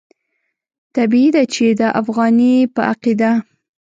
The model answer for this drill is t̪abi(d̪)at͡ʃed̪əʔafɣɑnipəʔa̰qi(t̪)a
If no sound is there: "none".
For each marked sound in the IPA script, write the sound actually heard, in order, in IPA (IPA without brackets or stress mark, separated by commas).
d̪, d̪